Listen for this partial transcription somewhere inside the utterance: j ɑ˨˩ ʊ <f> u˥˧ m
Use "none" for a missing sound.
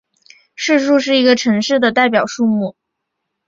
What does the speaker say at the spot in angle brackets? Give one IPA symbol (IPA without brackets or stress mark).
ʂ